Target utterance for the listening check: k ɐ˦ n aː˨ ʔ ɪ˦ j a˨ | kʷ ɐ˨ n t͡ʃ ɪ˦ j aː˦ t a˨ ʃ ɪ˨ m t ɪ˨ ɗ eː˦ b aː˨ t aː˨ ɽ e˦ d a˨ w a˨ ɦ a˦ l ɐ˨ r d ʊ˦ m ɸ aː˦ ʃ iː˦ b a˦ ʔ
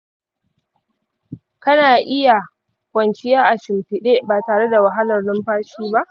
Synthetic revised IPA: k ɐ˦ n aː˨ ʔ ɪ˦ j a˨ | kʷ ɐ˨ n t͡ʃ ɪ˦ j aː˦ ʔ a˨ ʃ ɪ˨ m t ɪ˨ ɗ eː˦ b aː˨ t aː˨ ɽ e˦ d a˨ w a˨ ɦ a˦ l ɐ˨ r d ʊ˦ m ɸ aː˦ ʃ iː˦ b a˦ ʔ